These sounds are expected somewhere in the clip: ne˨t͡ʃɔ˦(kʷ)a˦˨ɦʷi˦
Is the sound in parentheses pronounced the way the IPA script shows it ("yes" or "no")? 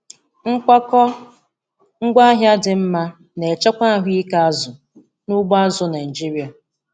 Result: yes